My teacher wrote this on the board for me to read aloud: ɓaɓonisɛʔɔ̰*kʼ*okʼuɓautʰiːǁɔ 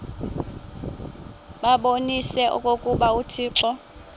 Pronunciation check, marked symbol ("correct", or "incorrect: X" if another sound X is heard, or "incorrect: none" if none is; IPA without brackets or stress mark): correct